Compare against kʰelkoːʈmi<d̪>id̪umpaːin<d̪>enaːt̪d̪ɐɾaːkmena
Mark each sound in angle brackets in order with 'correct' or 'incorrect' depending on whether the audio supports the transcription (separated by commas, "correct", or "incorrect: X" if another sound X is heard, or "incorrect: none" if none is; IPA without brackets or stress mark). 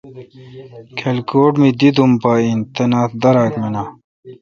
correct, incorrect: t̪